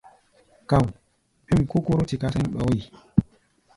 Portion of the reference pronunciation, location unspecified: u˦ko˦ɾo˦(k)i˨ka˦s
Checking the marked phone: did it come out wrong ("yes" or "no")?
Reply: yes